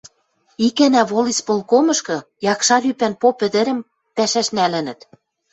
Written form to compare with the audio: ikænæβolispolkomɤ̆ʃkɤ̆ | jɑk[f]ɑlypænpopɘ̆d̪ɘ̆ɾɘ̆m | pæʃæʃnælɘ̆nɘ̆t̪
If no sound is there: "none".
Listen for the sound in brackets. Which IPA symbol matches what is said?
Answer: ʃ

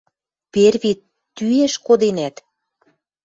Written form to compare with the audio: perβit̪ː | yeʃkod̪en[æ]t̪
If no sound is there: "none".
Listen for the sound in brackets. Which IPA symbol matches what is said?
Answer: æ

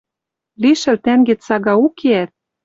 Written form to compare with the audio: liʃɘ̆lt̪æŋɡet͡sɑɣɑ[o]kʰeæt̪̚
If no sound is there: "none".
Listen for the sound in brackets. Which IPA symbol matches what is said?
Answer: u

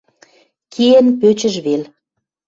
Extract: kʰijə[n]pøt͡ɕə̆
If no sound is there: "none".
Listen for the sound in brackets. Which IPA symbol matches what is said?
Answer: n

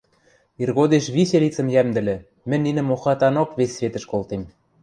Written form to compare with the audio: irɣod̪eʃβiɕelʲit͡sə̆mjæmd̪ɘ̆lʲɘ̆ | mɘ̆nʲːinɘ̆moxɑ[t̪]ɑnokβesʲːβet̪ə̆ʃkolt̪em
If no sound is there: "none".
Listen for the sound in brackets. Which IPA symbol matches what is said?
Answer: t̪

